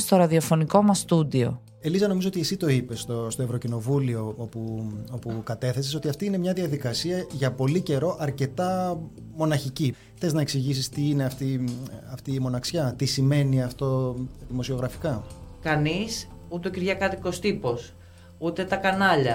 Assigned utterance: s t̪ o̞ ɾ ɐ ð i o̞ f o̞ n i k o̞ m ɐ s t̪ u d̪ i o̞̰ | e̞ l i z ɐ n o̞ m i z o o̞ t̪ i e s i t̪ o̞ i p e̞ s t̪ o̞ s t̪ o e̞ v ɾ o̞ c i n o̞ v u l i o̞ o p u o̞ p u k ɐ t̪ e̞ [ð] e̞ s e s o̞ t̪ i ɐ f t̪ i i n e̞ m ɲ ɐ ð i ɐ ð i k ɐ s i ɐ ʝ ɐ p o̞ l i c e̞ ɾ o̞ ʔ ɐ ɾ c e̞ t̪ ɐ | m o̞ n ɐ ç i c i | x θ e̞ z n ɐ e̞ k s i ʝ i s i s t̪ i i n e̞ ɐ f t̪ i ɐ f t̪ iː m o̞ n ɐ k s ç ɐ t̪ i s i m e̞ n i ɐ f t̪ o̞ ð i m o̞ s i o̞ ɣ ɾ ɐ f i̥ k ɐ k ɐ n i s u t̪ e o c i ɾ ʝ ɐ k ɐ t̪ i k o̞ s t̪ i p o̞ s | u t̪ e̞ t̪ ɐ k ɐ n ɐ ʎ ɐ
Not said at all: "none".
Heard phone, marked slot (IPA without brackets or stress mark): θ